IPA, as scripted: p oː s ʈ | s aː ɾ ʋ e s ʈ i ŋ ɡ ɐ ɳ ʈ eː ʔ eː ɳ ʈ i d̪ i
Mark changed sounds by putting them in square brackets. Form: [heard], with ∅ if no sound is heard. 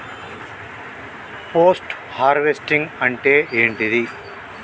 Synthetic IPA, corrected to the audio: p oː s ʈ | [h] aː ɾ ʋ e s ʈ i ŋ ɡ ɐ ɳ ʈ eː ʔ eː ɳ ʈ i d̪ i